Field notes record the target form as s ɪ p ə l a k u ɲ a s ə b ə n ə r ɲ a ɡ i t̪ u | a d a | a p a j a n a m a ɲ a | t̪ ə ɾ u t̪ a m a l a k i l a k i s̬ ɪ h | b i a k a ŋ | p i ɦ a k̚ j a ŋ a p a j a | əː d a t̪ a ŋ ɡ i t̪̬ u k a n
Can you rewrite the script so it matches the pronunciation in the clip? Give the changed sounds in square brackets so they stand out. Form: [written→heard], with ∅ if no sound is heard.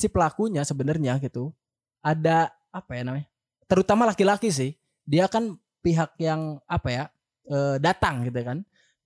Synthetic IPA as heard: s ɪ p ə l a k u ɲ a s ə b ə n ə r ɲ a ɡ i t̪ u | a d a | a p a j a n a m a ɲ a | t̪ ə ɾ u t̪ a m a l a k i l a k i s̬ ɪ h | [b→d] i a k a [ŋ→n] | p i ɦ a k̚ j a ŋ a p a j a | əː d a t̪ a ŋ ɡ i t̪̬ u k a n